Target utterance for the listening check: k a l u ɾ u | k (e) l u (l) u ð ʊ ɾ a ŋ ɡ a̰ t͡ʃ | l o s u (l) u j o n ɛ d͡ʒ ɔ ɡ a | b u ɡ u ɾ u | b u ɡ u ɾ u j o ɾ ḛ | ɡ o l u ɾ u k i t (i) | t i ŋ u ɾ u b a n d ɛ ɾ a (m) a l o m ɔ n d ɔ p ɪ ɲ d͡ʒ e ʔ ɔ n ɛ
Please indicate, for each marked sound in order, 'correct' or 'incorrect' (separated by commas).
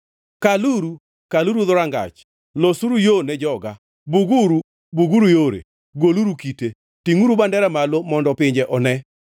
incorrect, incorrect, incorrect, incorrect, correct